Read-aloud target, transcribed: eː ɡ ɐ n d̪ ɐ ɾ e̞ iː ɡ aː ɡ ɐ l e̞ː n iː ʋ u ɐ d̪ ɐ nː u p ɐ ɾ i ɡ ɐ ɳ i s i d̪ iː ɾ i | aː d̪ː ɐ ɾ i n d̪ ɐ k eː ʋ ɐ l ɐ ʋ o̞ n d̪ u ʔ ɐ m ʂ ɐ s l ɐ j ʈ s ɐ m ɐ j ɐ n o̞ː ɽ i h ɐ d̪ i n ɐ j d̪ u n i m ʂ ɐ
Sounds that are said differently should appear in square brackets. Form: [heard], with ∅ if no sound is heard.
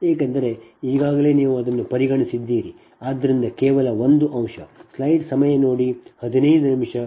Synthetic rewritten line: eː [k] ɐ n d̪ ɐ ɾ e̞ iː ɡ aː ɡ ɐ l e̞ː n iː ʋ u ɐ d̪ ɐ nː u p ɐ ɾ i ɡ ɐ ɳ i s i [d̪ː] iː ɾ i | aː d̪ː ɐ ɾ i n d̪ ɐ k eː ʋ ɐ l ɐ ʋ o̞ n d̪ u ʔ ɐ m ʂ ɐ s l ɐ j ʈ s ɐ m ɐ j ɐ n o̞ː ɽ i h ɐ d̪ i n ɐ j d̪ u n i m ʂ ɐ